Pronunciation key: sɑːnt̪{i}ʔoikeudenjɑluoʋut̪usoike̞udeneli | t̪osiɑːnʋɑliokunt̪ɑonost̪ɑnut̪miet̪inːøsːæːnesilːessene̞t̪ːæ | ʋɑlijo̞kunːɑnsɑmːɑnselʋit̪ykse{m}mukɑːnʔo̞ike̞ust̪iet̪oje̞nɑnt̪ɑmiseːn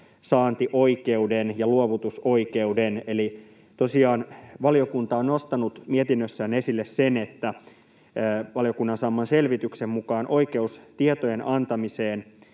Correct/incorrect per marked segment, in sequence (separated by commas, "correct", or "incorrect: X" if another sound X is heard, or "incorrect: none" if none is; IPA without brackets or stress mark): correct, correct